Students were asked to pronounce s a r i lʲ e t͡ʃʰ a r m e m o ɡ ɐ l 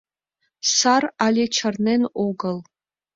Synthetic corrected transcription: s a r a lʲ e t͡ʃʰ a r n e n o ɡ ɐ l